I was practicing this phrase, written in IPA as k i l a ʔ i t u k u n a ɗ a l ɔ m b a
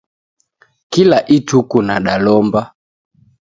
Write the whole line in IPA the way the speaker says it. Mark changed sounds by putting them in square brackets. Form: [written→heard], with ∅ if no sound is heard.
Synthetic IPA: k i l a ʔ i t u k u n a ɗ a l ɔ m b a